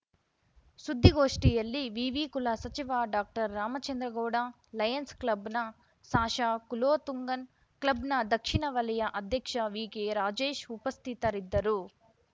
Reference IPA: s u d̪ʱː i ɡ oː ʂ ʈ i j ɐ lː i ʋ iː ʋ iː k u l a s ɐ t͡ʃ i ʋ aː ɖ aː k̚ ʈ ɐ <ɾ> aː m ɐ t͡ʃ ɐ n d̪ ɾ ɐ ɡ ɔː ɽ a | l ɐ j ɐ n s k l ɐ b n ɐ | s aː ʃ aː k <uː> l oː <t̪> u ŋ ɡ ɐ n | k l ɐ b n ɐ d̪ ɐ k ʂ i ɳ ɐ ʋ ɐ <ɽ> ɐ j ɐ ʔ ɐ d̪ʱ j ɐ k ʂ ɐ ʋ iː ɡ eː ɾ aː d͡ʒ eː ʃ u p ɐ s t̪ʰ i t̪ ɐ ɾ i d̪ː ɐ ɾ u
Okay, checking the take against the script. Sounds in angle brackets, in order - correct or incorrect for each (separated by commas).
incorrect, incorrect, correct, incorrect